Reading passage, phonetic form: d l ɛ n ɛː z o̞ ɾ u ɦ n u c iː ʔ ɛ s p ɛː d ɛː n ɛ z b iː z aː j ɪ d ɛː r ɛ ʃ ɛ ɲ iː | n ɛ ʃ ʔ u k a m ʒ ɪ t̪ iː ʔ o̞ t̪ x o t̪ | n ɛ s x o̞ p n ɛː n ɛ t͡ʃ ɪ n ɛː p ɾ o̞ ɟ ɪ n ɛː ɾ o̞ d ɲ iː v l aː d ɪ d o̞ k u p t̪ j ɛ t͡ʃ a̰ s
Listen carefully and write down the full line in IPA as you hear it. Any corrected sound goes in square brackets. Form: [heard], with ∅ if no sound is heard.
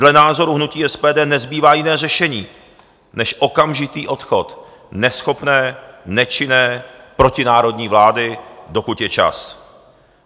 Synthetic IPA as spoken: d l ɛ n [aː] z o̞ ɾ u ɦ n u c iː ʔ ɛ s p ɛː d ɛː n ɛ z b iː [v] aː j ɪ [n] ɛː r ɛ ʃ ɛ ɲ iː | n ɛ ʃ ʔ [o] k a m ʒ ɪ t̪ iː ʔ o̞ t̪ x o t̪ | n ɛ s x o̞ p n ɛː n ɛ t͡ʃ ɪ n ɛː p ɾ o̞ [c] ɪ n [aː] ɾ o̞ d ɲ iː v l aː d ɪ d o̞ k u [∅] t̪ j ɛ t͡ʃ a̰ s

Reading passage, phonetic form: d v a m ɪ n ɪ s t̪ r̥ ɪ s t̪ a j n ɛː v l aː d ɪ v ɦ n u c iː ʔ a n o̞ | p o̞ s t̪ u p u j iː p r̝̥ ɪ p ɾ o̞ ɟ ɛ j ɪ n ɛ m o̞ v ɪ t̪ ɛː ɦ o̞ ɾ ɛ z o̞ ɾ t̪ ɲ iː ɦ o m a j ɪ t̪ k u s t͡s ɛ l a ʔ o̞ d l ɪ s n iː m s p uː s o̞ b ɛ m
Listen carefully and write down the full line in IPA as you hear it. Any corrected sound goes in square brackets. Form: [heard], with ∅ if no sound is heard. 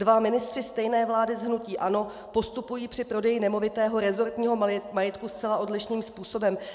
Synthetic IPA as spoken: d v a m ɪ n ɪ s t̪ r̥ ɪ s t̪ [ɛ] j n ɛː v l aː d ɪ [z] ɦ n u c iː ʔ a n o̞ | p o̞ s t̪ u p u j iː p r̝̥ ɪ p ɾ o̞ [d] ɛ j ɪ n ɛ m o̞ v ɪ t̪ ɛː ɦ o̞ ɾ ɛ z o̞ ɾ t̪ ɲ iː ɦ o m a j ɪ t̪ k u s t͡s ɛ l a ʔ o̞ d l ɪ [ʃ] n iː m s p uː s o̞ b ɛ m

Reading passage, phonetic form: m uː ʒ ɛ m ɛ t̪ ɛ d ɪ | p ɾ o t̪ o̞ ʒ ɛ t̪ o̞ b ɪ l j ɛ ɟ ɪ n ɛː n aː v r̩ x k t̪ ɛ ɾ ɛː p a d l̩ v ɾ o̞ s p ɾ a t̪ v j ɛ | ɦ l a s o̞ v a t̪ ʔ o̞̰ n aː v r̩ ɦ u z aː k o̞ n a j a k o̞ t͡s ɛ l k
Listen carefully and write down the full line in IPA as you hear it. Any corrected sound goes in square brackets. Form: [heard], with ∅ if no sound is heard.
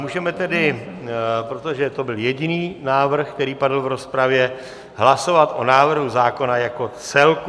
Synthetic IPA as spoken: m uː ʒ ɛ m ɛ t̪ ɛ d ɪ | p ɾ o t̪ o̞ ʒ ɛ t̪ o̞ b ɪ l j ɛ ɟ ɪ n [iː] n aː v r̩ x k t̪ ɛ ɾ [iː] p a d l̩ v ɾ o̞ s p ɾ a [∅] v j ɛ | ɦ l a s o̞ v a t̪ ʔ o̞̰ n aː v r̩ ɦ u z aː k o̞ n a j a k o̞ t͡s ɛ l k

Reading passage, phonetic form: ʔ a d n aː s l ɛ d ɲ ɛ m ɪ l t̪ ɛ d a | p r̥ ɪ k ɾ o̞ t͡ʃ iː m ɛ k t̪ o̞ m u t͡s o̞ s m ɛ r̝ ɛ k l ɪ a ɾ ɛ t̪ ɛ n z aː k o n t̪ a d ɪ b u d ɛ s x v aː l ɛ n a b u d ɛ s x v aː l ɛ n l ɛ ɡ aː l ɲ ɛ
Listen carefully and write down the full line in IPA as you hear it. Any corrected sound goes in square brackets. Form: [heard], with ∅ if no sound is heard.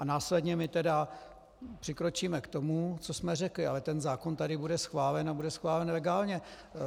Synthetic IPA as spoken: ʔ a [∅] n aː s l ɛ d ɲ ɛ m ɪ [∅] t̪ ɛ d a | p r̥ ɪ k ɾ o̞ t͡ʃ iː m ɛ k t̪ o̞ m u t͡s o̞ s m ɛ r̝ ɛ k l ɪ a [l] ɛ t̪ ɛ n z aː k o n t̪ a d ɪ b u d ɛ s x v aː l ɛ n a b u d ɛ s x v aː l ɛ n l ɛ ɡ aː l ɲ ɛ

